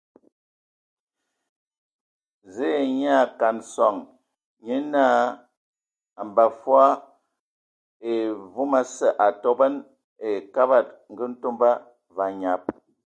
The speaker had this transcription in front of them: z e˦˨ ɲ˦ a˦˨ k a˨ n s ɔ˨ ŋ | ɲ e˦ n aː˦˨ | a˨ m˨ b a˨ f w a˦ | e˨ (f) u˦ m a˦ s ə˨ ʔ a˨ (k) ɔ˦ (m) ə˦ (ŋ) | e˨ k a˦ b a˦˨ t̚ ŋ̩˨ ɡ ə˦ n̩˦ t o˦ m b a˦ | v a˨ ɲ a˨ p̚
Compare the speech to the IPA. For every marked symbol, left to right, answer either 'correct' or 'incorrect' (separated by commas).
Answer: incorrect, incorrect, incorrect, incorrect